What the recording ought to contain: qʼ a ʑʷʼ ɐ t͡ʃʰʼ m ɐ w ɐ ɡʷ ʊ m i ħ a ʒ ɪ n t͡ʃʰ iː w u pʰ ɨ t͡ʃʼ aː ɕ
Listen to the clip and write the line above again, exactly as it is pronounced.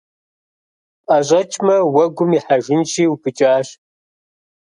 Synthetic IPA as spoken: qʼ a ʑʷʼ ɐ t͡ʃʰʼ m ɐ w ɐ ɡʷ ʊ m i ħ a ʒ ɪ n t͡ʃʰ iː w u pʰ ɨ t͡ʃʼ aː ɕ